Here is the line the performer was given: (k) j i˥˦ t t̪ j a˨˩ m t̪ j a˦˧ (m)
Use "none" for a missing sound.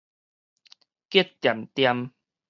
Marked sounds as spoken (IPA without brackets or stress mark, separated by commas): k, m